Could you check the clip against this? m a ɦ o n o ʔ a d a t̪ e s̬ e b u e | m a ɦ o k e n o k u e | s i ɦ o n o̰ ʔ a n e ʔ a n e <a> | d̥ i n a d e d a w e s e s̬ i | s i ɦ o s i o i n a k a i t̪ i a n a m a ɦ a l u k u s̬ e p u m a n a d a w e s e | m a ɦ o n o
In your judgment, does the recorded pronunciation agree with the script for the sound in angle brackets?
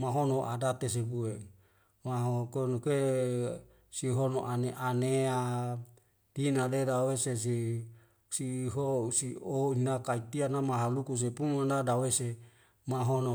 yes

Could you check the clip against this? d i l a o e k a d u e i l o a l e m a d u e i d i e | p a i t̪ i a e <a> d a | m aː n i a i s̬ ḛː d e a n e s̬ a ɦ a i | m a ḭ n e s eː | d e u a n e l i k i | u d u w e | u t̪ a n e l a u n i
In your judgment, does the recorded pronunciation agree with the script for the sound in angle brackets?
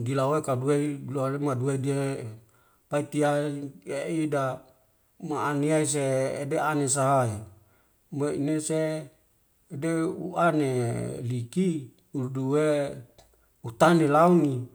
no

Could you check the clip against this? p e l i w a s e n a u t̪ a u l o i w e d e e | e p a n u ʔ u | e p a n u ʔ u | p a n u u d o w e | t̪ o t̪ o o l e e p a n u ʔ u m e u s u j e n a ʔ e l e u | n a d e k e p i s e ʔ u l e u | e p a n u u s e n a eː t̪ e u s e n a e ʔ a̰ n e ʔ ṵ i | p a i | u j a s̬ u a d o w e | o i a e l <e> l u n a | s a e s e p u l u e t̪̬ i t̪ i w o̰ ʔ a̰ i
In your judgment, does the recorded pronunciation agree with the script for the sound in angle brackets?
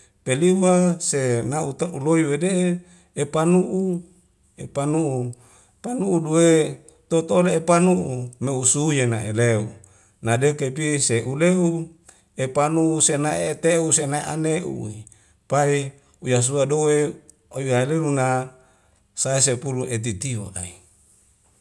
yes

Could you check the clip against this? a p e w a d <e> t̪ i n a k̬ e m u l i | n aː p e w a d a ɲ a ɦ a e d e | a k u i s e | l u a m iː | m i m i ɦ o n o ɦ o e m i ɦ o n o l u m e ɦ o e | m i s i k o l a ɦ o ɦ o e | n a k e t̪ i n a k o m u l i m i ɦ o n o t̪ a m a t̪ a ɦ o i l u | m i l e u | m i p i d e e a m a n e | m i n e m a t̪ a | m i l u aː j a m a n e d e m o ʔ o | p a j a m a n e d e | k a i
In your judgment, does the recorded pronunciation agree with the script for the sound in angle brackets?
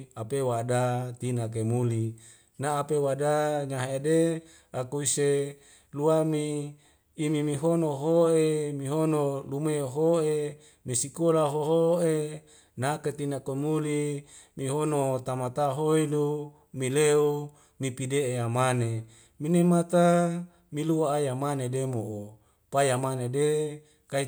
no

